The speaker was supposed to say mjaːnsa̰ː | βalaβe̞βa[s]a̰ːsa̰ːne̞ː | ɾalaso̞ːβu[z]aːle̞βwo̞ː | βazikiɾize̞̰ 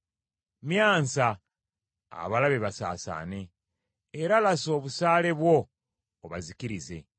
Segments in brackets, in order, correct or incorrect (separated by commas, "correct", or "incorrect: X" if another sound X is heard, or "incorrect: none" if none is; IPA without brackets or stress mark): correct, incorrect: s